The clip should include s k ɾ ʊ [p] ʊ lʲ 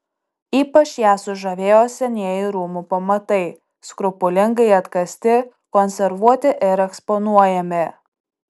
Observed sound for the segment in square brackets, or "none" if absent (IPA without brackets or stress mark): p